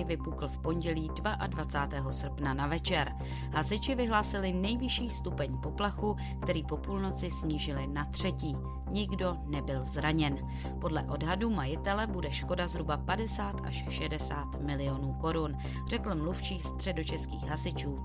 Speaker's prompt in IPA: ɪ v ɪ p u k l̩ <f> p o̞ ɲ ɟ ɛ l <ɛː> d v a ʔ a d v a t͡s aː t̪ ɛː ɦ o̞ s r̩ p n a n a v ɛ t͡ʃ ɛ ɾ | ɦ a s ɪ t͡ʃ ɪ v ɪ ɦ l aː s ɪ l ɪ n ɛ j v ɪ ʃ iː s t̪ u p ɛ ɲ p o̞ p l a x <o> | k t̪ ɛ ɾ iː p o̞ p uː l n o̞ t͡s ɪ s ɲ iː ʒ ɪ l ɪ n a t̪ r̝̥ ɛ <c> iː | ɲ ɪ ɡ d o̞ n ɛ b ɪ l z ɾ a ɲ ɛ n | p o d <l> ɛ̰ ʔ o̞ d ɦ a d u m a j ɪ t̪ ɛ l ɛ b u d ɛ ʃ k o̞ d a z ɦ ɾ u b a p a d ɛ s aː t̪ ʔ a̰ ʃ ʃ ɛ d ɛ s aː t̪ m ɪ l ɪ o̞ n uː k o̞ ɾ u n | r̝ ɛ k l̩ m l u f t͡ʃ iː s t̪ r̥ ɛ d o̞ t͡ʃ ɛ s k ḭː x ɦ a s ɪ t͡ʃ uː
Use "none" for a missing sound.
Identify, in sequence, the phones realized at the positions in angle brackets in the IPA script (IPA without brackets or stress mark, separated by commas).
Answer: f, iː, u, c, l